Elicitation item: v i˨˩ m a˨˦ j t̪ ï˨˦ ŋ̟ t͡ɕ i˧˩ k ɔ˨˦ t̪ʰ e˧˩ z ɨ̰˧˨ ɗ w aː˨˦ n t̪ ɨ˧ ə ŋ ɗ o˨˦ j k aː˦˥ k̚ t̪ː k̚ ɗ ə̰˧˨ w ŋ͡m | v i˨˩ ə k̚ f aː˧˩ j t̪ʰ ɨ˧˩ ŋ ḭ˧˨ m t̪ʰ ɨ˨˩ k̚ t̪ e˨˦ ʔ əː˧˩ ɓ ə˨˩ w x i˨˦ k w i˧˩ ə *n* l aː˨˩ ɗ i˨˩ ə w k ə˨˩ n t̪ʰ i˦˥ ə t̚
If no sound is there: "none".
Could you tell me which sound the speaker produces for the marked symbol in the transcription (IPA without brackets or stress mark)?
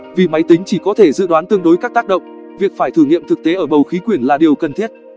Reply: n